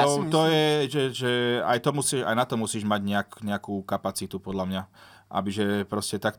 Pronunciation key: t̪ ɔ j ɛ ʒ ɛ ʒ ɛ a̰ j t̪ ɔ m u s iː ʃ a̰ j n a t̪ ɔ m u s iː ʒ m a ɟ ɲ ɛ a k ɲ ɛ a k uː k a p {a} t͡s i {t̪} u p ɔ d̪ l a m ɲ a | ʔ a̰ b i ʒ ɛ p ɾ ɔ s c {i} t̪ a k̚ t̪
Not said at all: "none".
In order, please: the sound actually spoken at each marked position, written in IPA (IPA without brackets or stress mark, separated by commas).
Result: a, t̪, ɛ